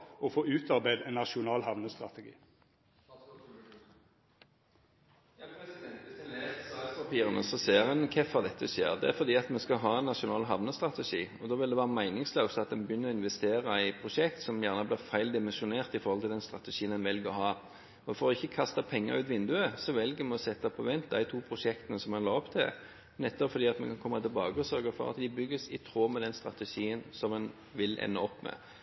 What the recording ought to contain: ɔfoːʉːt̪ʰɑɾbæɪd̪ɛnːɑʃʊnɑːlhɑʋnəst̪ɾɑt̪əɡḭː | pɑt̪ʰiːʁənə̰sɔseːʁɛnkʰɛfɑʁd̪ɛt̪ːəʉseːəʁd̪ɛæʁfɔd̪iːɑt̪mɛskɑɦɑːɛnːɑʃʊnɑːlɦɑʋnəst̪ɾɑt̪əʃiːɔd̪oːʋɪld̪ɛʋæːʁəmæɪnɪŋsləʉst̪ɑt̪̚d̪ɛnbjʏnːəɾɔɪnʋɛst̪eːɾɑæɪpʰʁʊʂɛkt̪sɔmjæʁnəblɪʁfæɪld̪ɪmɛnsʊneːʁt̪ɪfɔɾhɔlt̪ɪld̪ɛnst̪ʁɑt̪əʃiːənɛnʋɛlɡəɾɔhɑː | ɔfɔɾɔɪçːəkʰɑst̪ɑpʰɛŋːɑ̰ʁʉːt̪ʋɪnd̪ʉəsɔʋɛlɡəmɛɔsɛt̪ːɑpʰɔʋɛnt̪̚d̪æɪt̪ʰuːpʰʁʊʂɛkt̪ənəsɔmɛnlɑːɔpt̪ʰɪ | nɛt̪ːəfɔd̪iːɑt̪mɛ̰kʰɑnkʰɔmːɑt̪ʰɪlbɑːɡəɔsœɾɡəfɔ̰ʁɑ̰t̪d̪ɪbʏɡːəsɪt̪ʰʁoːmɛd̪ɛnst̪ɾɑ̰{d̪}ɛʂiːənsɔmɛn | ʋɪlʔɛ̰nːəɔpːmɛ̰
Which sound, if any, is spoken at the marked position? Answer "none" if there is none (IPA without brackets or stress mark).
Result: t̪